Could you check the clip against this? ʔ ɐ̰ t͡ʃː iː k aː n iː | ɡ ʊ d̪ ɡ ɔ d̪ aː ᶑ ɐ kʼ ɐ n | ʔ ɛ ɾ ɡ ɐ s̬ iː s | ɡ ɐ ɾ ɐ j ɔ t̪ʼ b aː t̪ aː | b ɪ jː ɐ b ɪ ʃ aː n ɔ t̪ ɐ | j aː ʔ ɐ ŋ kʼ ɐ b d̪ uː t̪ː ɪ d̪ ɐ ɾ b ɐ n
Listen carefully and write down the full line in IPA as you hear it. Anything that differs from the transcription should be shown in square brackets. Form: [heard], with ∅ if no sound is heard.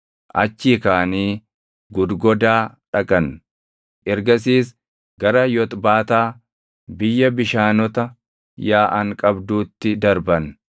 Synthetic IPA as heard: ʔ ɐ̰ t͡ʃː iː k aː n iː | ɡ ʊ d̪ ɡ ɔ d̪ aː ᶑ ɐ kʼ ɐ n | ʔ ɛ ɾ ɡ ɐ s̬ iː s | ɡ ɐ ɾ ɐ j ɔ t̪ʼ b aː t̪ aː | b ɪ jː ɐ b ɪ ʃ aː n ɔ t̪ ɐ | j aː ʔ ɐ ŋ kʼ ɐ b d̪ uː t̪ː ɪ d̪ ɐ ɾ b ɐ n